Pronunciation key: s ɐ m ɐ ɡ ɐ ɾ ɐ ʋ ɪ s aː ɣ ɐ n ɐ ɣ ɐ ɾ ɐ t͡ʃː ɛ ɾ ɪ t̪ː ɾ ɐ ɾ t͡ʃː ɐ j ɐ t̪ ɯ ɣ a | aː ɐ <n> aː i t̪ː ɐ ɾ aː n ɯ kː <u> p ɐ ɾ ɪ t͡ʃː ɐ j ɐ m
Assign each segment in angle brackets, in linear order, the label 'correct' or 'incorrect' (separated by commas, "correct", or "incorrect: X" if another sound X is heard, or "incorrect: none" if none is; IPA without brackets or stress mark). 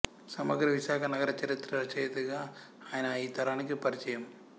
correct, incorrect: ɯ